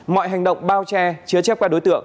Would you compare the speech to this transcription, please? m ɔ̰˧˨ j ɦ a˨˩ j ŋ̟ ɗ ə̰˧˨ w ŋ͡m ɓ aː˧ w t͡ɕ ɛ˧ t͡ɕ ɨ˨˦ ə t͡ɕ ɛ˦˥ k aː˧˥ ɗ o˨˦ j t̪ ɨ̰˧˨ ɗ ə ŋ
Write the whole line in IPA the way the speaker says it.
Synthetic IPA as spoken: m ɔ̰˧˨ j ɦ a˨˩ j ŋ̟ ɗ ə̰˧˨ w ŋ͡m ɓ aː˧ w t͡ɕ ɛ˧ t͡ɕ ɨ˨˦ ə t͡ɕ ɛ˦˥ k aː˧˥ ɗ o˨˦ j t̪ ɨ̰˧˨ ə ŋ